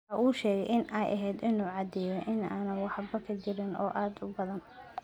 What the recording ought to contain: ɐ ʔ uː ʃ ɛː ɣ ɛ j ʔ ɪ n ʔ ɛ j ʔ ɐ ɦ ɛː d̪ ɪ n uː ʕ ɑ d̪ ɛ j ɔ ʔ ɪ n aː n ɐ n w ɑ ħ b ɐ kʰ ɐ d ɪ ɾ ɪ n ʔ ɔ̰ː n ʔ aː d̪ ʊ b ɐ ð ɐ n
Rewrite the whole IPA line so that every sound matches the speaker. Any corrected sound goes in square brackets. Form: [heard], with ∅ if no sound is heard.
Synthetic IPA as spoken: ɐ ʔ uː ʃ ɛː ɣ ɛ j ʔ ɪ n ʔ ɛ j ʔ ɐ ɦ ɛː d̪ ɪ n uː ʕ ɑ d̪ ɛ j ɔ ʔ ɪ n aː n ɐ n w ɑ ħ b ɐ kʰ ɐ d ɪ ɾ ɪ n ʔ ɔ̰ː [∅] ʔ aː d̪ ʊ b ɐ ð ɐ n